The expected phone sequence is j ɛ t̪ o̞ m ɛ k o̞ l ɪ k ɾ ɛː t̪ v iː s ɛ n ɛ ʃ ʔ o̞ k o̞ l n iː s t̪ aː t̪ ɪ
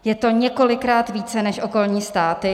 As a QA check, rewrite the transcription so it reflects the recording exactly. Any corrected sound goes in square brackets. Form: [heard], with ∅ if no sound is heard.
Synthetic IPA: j ɛ t̪ o̞ [ɲ] ɛ k o̞ l ɪ k ɾ [aː] t̪ v iː [t͡s] ɛ n ɛ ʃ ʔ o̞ k o̞ l [ɲ] iː s t̪ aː t̪ ɪ

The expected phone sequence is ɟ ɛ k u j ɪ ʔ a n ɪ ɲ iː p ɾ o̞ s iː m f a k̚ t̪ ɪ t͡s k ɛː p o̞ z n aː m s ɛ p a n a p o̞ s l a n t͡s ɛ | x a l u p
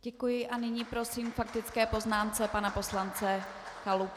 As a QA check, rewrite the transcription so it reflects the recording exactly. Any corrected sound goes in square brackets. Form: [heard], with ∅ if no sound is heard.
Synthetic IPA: ɟ ɛ k u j ɪ ʔ a n ɪ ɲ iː p ɾ o̞ s iː m f a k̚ t̪ ɪ t͡s k ɛː p o̞ z n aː m [t͡s] ɛ p a n a p o̞ s l a n t͡s ɛ | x a l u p

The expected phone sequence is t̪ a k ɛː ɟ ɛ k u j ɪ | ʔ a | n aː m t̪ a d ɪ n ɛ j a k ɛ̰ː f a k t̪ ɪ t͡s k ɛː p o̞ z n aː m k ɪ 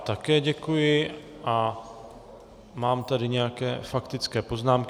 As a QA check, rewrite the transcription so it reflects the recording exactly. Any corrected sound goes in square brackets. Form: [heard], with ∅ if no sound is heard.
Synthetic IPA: t̪ a k ɛː ɟ ɛ k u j ɪ | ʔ a | [m] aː m t̪ a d ɪ [ɲ] ɛ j a k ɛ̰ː f a k t̪ ɪ t͡s k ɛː p o̞ z n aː m k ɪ

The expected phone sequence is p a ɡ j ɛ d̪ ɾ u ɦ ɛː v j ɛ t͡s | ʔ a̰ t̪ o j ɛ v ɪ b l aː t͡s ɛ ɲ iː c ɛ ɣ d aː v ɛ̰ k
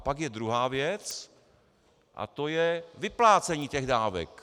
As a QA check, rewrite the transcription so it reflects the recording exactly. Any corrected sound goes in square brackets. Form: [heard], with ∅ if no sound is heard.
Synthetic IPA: p a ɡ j ɛ d̪ ɾ u ɦ [aː] v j ɛ t͡s | ʔ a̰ t̪ o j ɛ v ɪ [p] l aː t͡s ɛ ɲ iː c ɛ ɣ d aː v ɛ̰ k

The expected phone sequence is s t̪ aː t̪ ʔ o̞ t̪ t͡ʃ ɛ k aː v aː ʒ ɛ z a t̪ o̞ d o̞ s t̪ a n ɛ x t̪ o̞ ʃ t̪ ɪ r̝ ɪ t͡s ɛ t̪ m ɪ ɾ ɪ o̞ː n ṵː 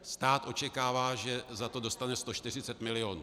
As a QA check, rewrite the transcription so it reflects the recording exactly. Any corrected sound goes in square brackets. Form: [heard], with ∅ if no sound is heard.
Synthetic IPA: s t̪ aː t̪ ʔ o̞ [∅] t͡ʃ ɛ k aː v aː ʒ ɛ z a t̪ o̞ d o̞ s t̪ a n ɛ [s] t̪ o̞ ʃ t̪ ɪ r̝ ɪ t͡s ɛ t̪ m ɪ [l] ɪ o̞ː n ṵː

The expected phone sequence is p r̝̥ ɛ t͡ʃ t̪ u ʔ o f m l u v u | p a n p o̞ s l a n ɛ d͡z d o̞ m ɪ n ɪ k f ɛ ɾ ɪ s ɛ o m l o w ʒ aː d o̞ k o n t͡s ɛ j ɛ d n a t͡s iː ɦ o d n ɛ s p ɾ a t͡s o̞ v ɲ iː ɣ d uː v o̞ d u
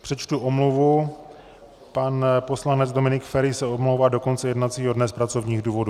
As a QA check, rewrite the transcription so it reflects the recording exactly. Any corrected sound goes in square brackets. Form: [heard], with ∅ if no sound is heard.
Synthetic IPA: p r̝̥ ɛ t͡ʃ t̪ u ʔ o [∅] m l u v u | p a n p o̞ s l a n ɛ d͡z d o̞ m ɪ n ɪ k f ɛ ɾ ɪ s ɛ o m l o w [v] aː d o̞ k o n t͡s ɛ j ɛ d n a t͡s iː ɦ o d n ɛ s p ɾ a t͡s o̞ v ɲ iː ɣ d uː v o̞ d u

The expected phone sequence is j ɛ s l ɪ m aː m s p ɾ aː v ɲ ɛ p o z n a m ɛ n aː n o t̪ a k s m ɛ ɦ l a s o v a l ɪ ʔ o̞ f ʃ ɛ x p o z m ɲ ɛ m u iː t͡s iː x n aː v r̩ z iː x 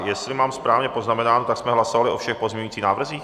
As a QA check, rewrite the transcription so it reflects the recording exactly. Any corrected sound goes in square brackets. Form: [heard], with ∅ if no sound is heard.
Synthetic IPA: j ɛ s l ɪ m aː m s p ɾ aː v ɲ ɛ p o z n a m ɛ n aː n o t̪ a k s m ɛ ɦ l a s o v a l ɪ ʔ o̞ f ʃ ɛ x p o z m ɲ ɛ [ɲ] u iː t͡s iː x n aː v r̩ z iː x

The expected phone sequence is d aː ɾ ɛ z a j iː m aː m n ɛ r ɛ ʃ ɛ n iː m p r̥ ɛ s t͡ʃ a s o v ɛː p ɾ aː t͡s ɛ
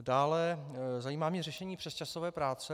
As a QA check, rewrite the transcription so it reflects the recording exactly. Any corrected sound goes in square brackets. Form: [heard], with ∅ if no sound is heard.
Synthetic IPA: d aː [l] ɛ z a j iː m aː m [ɲ] ɛ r ɛ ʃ ɛ [ɲ] iː [∅] p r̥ ɛ s t͡ʃ a s o v ɛː p ɾ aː t͡s ɛ

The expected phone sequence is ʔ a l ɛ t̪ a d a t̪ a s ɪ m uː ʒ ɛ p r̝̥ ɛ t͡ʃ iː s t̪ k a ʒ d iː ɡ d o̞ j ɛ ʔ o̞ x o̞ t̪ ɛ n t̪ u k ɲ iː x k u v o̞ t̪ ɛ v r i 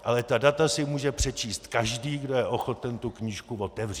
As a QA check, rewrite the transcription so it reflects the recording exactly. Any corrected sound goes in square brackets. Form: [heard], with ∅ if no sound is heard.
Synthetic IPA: ʔ a l ɛ t̪ a d a t̪ a s ɪ m uː ʒ ɛ p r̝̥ ɛ t͡ʃ iː s t̪ k a ʒ d iː ɡ d o̞ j ɛ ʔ o̞ x o̞ t̪ ɛ n t̪ u k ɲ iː [ʃ] k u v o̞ t̪ ɛ v r i

